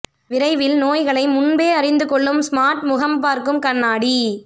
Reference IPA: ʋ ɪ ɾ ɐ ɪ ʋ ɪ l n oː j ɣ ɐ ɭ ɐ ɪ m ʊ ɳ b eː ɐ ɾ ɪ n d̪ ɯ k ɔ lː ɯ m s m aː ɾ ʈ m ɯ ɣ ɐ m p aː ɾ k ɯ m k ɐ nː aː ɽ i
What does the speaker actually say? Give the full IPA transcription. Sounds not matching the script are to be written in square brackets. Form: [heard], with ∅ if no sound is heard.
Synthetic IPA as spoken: ʋ ɪ ɾ ɐ ɪ ʋ ɪ l n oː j ɣ ɐ ɭ ɐ ɪ m ʊ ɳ b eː ɐ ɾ ɪ n d̪ ɯ k ɔ [ɭː] ɯ m s m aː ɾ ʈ m [ʊ] ɣ ɐ m p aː ɾ k ɯ m k ɐ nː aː ɽ i

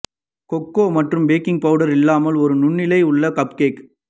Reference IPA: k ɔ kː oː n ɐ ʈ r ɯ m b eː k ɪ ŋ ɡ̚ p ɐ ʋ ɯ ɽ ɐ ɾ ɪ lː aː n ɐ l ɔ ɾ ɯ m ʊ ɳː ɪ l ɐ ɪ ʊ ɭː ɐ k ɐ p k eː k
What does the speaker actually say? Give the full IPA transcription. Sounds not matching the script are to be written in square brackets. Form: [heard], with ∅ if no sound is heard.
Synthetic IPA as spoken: k ɔ kː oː [m] ɐ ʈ r ɯ m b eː k ɪ ŋ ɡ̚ p ɐ ʋ ɯ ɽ ɐ ɾ ɪ lː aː [m] ɐ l ɔ ɾ ɯ [n] ʊ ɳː ɪ l ɐ ɪ ʊ ɭː ɐ k ɐ p k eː k

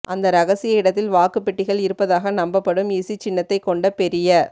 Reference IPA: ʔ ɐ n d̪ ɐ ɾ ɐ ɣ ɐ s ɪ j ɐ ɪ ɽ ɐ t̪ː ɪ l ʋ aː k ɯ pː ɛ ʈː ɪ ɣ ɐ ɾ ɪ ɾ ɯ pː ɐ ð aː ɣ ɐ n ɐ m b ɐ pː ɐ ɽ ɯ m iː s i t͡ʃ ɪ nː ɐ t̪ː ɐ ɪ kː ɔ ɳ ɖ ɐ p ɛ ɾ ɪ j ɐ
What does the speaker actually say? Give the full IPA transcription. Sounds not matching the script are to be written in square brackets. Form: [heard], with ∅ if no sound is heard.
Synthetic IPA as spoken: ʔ ɐ n d̪ ɐ ɾ ɐ ɣ ɐ s ɪ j ɐ ɪ ɽ ɐ t̪ː ɪ l ʋ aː k ɯ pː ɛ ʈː ɪ ɣ ɐ [ɭ] ɪ ɾ ɯ pː ɐ ð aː ɣ ɐ n ɐ m b ɐ pː ɐ ɽ ɯ m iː s i t͡ʃ ɪ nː ɐ t̪ː ɐ ɪ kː ɔ ɳ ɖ ɐ p ɛ ɾ ɪ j ɐ

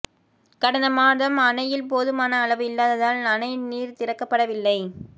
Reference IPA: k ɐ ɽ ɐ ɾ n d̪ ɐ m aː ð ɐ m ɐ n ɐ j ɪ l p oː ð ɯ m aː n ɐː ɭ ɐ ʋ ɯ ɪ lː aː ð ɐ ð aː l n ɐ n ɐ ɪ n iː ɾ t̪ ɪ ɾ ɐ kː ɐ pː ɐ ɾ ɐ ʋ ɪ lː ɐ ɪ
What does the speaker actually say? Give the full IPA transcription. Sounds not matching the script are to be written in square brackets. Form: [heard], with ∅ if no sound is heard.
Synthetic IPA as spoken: k ɐ ɽ ɐ [∅] n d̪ ɐ m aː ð ɐ m ɐ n ɐ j ɪ l p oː ð ɯ m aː n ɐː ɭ ɐ ʋ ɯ ɪ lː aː ð ɐ ð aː l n ɐ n ɐ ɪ n iː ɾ t̪ ɪ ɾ ɐ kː ɐ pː ɐ [ɽ] ɐ ʋ ɪ lː ɐ ɪ

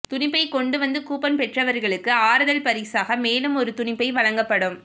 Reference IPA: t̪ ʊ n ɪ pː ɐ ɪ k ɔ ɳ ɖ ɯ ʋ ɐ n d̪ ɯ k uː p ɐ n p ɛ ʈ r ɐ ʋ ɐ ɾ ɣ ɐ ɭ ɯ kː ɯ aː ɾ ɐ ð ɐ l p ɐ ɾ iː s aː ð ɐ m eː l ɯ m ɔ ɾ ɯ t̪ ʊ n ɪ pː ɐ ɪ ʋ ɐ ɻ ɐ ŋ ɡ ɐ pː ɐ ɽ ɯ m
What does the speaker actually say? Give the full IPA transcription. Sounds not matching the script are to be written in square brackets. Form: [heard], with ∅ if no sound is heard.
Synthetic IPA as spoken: t̪ ʊ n ɪ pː ɐ ɪ k ɔ ɳ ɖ ɯ ʋ ɐ n d̪ ɯ k uː p ɐ n p ɛ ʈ r ɐ ʋ ɐ ɾ ɣ ɐ ɭ ɯ kː ɯ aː ɾ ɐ ð ɐ l p ɐ ɾ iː s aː [ɣ] ɐ m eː l ɯ m ɔ ɾ ɯ t̪ ʊ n ɪ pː ɐ ɪ ʋ ɐ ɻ ɐ ŋ ɡ ɐ pː ɐ ɽ ɯ m

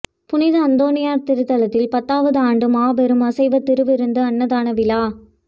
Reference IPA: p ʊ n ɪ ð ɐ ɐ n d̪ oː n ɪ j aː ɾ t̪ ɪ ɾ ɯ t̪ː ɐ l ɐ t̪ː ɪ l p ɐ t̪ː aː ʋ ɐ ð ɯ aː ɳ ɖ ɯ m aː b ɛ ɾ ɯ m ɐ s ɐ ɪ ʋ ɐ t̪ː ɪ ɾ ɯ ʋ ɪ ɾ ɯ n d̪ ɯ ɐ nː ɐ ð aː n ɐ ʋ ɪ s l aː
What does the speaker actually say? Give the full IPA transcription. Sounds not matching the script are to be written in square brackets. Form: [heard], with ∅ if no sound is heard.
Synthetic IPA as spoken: p ʊ n ɪ ð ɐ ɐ n d̪ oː n ɪ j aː ɾ t̪ ɪ ɾ ɯ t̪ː ɐ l ɐ t̪ː ɪ l p ɐ t̪ː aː ʋ ɐ ð ɯ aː ɳ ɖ ɯ m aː b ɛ ɾ ɯ m ɐ s ɐ ɪ ʋ ɐ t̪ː ɪ ɾ ɯ ʋ ɪ ɾ ɯ n d̪ ɯ ɐ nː ɐ ð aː n ɐ ʋ ɪ [∅] l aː

